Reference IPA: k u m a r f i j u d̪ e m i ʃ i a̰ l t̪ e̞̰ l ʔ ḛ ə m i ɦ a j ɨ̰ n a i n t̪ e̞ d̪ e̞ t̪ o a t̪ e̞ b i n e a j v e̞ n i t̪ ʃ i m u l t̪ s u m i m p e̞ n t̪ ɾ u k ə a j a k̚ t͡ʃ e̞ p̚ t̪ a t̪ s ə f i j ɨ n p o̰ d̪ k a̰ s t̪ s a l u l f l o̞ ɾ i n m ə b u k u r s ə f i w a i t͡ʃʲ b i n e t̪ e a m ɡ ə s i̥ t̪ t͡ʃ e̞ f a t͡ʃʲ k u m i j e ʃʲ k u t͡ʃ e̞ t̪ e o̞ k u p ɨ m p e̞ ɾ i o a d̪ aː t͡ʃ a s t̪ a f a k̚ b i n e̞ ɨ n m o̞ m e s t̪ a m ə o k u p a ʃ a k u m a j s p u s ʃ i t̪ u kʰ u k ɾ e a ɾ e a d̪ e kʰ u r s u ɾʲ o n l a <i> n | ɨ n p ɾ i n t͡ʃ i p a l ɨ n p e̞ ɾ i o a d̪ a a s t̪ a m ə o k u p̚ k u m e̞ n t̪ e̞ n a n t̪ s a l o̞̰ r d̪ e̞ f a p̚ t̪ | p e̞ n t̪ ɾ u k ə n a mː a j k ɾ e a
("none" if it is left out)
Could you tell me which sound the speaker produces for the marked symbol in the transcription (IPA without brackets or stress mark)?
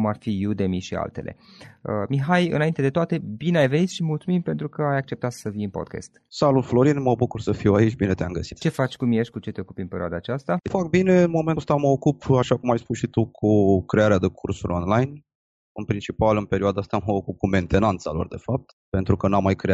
j